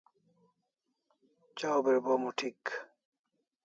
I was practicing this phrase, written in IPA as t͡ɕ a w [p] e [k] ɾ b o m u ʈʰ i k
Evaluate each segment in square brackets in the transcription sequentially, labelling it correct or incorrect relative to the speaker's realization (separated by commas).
incorrect, incorrect